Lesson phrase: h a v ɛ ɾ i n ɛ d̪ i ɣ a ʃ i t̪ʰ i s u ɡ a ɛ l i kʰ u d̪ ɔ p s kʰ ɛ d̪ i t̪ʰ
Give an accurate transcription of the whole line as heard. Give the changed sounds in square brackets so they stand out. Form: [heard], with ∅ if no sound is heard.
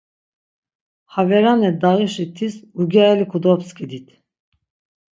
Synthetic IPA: h a v ɛ ɾ [a] n ɛ d̪ [a] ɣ [i] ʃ i t̪ʰ i s u ɡ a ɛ l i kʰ u d̪ ɔ p s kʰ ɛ d̪ i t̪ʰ